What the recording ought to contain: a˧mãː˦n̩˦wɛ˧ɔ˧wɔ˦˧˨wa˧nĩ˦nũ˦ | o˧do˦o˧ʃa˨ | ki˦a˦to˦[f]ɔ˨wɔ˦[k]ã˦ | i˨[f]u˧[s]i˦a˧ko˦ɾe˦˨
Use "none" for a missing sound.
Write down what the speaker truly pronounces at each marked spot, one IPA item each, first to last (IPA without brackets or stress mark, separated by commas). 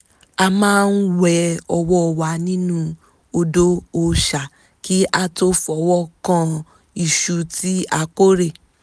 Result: f, k, ʃ, t